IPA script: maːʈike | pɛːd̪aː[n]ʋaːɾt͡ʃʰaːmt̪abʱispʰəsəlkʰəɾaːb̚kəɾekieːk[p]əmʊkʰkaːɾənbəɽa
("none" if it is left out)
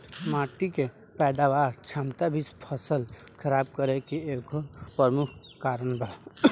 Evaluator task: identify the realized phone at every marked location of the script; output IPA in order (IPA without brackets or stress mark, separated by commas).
none, p